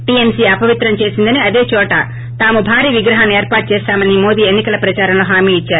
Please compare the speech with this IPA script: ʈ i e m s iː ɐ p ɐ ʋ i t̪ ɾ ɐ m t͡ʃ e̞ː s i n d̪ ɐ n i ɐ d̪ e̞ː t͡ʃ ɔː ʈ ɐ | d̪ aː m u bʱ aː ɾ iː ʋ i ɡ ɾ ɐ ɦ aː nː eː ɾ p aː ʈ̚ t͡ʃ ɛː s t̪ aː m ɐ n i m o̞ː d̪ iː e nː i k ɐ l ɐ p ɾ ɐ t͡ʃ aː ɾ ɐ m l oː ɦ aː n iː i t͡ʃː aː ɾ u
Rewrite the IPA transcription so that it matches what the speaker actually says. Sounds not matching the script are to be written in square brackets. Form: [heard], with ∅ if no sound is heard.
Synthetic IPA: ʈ i e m s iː ɐ p ɐ ʋ i t̪ ɾ ɐ m t͡ʃ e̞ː s i n d̪ ɐ n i ɐ d̪ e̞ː t͡ʃ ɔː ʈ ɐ | [t̪] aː m u bʱ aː ɾ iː ʋ i ɡ ɾ ɐ ɦ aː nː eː ɾ p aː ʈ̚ t͡ʃ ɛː s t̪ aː m ɐ n i m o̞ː d̪ iː e nː i k ɐ l ɐ p ɾ ɐ t͡ʃ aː ɾ ɐ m l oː ɦ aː [m] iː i t͡ʃː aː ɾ u

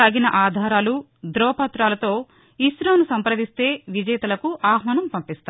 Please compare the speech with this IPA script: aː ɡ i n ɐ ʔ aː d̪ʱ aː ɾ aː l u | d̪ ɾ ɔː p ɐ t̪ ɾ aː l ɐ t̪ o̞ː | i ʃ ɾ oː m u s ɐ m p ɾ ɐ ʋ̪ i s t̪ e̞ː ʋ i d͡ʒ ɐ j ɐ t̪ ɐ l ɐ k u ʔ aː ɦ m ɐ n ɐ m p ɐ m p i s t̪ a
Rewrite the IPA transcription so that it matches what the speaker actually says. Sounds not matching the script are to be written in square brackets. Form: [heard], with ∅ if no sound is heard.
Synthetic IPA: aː ɡ i n ɐ ʔ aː d̪ʱ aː ɾ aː l u | d̪ ɾ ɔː p ɐ t̪ ɾ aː l ɐ t̪ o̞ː | i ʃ ɾ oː [n] u s ɐ m p ɾ ɐ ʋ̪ i s t̪ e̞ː ʋ i d͡ʒ ɐ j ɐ t̪ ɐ l ɐ k u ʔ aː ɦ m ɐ n ɐ m p ɐ m p i s t̪ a

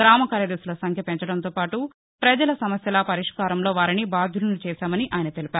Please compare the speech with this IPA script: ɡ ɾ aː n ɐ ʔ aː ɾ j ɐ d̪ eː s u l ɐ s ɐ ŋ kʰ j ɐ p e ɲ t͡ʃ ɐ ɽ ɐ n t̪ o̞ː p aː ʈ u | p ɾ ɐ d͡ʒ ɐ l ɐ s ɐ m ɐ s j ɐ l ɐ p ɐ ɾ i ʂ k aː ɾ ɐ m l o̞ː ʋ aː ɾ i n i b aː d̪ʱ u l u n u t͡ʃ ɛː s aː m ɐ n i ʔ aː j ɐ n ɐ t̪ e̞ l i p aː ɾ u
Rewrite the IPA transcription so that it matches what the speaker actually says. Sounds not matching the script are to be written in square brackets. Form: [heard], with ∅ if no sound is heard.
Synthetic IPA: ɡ ɾ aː [m] ɐ [k] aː ɾ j ɐ d̪ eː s u l ɐ s ɐ ŋ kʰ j ɐ p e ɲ t͡ʃ ɐ ɽ ɐ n t̪ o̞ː p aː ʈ u | p ɾ ɐ d͡ʒ ɐ l ɐ s ɐ m ɐ s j ɐ l ɐ p ɐ ɾ i ʂ k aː ɾ ɐ m l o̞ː ʋ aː ɾ i n i b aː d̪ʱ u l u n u t͡ʃ ɛː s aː m ɐ n i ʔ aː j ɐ n ɐ t̪ e̞ l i p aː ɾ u

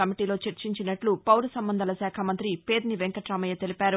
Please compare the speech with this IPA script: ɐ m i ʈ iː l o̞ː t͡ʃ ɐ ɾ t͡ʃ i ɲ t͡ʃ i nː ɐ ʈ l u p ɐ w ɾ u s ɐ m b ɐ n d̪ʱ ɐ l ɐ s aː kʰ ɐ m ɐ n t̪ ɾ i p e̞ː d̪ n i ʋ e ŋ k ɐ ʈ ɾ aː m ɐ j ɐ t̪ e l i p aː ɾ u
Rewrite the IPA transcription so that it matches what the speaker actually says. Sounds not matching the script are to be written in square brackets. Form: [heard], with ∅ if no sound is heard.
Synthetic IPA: ɐ m i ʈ iː l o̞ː t͡ʃ ɐ ɾ t͡ʃ i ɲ t͡ʃ i [n] ɐ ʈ l u p ɐ w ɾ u s ɐ m b ɐ n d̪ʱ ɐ l ɐ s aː kʰ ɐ m ɐ n t̪ ɾ i p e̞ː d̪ n i ʋ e ŋ k ɐ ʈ ɾ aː m ɐ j ɐ t̪ e l i p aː ɾ u

